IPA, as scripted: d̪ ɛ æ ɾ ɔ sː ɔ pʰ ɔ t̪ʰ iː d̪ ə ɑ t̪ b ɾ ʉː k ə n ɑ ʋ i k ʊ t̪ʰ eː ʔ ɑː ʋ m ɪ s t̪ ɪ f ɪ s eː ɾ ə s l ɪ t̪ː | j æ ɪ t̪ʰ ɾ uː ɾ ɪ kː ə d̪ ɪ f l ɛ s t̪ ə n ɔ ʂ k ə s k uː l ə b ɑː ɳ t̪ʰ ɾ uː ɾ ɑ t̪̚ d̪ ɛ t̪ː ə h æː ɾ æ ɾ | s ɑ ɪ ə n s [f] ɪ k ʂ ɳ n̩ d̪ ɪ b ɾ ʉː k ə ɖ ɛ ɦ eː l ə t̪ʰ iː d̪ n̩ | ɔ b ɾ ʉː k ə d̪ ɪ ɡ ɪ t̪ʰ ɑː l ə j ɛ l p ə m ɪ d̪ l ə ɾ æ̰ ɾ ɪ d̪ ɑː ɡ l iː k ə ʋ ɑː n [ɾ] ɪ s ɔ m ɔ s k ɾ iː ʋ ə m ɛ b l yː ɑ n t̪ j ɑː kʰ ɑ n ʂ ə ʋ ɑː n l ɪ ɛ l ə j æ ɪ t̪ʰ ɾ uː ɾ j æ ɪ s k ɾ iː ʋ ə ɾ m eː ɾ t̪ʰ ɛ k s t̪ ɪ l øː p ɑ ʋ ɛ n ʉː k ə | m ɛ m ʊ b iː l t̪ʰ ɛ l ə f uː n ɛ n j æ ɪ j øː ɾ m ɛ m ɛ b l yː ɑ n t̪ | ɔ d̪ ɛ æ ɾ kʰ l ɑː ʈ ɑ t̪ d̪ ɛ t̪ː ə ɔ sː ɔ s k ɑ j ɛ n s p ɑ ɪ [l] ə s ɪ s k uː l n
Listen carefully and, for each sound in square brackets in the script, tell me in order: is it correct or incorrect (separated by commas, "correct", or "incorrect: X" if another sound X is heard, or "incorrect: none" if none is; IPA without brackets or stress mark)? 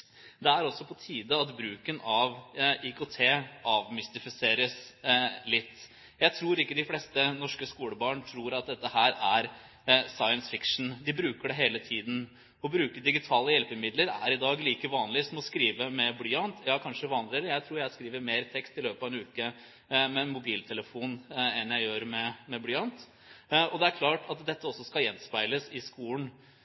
correct, incorrect: l, correct